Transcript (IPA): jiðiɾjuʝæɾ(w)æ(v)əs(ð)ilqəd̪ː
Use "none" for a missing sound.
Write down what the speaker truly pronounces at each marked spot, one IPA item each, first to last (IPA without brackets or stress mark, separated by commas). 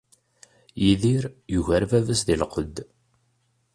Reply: v, v, ð